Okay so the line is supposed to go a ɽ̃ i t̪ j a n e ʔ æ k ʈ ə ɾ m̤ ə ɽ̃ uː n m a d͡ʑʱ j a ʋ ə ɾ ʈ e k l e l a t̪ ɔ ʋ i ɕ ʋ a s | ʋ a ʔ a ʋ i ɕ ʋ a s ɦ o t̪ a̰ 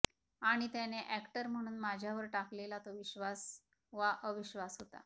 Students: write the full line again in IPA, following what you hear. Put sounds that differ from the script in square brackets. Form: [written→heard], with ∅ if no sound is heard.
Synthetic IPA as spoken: a ɽ̃ i t̪ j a n e ʔ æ k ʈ ə ɾ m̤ ə ɽ̃ uː n m a d͡ʑʱ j a ʋ ə ɾ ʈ [e→a] k l e l a t̪ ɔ ʋ i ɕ ʋ a s | ʋ a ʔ [a→ə] ʋ i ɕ ʋ a s ɦ o t̪ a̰